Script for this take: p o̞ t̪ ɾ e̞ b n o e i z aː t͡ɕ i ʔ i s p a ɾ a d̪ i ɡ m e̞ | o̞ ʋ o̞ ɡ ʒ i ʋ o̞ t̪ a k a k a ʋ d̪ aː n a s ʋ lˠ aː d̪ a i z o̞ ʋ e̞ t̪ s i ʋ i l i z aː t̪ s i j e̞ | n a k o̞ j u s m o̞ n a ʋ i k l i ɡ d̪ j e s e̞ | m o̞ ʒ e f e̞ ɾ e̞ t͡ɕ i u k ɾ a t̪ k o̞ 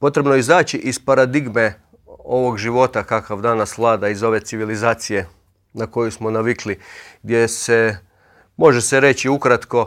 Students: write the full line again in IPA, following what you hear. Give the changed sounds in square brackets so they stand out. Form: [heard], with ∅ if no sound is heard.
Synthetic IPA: p o̞ t̪ ɾ e̞ b n o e i z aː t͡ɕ i ʔ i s p a ɾ a d̪ i ɡ m e̞ | o̞ ʋ o̞ ɡ ʒ i ʋ o̞ t̪ a k a k a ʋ d̪ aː n a s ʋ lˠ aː d̪ a i z o̞ ʋ e̞ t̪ s i ʋ i l i z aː t̪ s i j e̞ | n a k o̞ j u s m o̞ n a ʋ i k l i ɡ d̪ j e s e̞ | m o̞ ʒ e [s] e̞ ɾ e̞ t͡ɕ i u k ɾ a t̪ k o̞